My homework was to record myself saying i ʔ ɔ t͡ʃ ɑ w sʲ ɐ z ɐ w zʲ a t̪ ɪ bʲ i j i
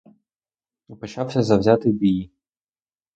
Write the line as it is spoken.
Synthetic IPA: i p ɔ t͡ʃ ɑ w sʲ ɐ z ɐ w zʲ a t̪ ɪ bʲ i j i